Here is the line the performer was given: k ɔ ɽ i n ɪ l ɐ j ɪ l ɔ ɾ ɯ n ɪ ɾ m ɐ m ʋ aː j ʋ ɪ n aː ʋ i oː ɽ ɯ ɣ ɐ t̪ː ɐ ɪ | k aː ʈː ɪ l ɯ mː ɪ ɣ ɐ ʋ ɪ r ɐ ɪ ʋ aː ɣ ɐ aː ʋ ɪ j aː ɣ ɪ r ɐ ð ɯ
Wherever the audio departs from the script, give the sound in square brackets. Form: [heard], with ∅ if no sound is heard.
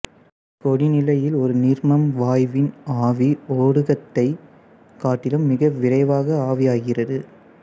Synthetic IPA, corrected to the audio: k ɔ ɽ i n ɪ l ɐ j ɪ l ɔ ɾ ɯ n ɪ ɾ m ɐ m ʋ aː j ʋ ɪ n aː ʋ i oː ɽ ɯ ɣ ɐ t̪ː ɐ ɪ | k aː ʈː ɪ l ɯ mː ɪ ɣ ɐ ʋ ɪ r ɐ ɪ ʋ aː ɣ ɐ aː ʋ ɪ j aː ɣ ɪ r ɐ ð ɯ